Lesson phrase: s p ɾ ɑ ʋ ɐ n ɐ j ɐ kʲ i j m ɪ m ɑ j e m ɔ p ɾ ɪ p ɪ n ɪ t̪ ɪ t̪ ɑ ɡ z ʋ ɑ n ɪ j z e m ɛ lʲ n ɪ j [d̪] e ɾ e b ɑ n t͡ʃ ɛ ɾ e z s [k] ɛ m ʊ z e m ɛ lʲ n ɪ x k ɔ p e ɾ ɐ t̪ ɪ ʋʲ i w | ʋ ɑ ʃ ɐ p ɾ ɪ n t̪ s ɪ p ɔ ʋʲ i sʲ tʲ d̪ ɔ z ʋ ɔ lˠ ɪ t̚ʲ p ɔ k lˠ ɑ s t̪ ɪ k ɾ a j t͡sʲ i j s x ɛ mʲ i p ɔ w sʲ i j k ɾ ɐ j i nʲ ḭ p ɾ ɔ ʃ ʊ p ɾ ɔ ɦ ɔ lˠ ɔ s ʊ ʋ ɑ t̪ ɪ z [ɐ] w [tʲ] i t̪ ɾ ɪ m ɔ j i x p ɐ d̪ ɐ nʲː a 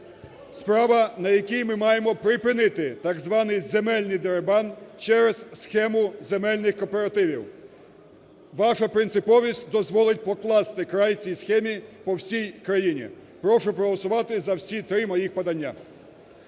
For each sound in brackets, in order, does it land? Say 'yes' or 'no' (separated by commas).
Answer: yes, no, yes, no